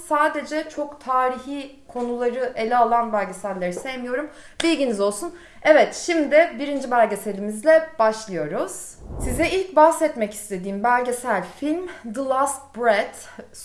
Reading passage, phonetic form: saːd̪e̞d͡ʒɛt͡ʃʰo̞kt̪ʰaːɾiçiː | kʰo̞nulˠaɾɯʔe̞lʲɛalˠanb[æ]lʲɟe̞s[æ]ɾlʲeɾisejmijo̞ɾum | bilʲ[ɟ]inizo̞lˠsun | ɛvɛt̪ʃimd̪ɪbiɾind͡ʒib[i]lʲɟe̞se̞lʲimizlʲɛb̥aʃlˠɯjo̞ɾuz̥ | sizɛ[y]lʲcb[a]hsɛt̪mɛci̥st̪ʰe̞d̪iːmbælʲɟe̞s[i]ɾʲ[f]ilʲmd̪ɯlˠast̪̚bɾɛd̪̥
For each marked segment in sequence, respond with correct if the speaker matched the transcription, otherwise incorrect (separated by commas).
correct, correct, correct, incorrect, incorrect, correct, incorrect, correct